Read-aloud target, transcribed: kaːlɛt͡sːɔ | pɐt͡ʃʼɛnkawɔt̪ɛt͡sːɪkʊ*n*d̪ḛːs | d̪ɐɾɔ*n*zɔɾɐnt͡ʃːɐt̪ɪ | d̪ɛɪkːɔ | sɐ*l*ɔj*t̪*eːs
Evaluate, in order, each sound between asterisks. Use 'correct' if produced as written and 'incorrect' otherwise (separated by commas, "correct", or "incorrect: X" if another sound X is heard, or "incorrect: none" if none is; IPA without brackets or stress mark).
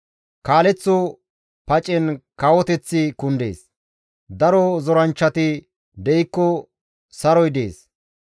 correct, incorrect: none, incorrect: ɾ, incorrect: d̪